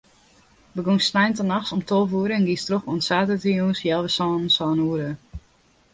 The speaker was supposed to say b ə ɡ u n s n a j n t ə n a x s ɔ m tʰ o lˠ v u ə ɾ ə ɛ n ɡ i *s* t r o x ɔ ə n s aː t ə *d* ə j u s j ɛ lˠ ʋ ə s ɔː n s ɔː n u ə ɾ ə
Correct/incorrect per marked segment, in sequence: correct, incorrect

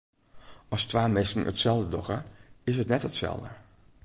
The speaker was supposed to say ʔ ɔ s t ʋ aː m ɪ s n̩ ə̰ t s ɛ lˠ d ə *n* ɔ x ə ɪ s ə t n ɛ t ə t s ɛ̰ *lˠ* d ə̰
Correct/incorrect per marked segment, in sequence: incorrect, correct

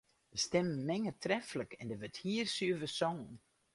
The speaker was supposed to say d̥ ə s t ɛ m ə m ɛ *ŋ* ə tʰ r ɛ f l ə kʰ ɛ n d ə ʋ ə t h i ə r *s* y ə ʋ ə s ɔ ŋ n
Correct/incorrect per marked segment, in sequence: correct, correct

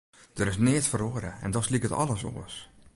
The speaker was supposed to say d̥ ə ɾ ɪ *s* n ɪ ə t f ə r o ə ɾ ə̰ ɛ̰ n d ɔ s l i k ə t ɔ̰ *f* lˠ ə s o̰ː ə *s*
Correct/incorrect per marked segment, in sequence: correct, incorrect, correct

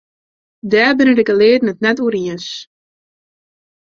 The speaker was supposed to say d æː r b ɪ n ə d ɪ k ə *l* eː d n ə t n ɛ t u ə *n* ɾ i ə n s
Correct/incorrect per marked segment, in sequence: correct, incorrect

